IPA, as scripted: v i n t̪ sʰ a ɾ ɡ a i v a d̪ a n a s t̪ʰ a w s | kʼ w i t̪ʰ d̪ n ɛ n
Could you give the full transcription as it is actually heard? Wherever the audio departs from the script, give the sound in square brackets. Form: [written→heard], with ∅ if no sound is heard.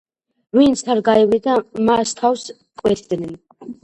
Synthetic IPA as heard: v i n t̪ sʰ a ɾ ɡ a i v [a→i] d̪ a [n→m] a s t̪ʰ a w s | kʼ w [i→ɛ] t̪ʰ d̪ n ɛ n